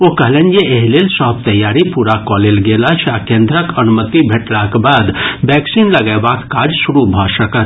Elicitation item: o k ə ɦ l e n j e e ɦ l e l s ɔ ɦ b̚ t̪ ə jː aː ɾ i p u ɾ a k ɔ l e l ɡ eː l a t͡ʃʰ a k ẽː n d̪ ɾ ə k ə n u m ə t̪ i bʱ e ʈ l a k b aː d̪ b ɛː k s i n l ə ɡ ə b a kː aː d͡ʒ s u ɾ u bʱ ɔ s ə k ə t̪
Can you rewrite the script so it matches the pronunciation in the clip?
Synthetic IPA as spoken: o k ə ɦ l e n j e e ɦ l e l s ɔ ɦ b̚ t̪ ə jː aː ɾ i p u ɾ a k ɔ l e l ɡ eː l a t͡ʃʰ a k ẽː n d̪ ɾ ə k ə n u m ə t̪ i bʱ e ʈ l a k b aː d̪ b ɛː k s i n l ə ɡ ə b a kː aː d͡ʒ s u ɾ u bʱ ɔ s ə k ə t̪